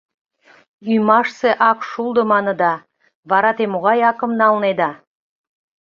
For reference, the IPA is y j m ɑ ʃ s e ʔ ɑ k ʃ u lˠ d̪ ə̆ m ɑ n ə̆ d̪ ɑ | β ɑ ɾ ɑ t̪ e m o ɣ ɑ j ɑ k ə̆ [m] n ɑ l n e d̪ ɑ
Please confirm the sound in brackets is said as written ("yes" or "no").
yes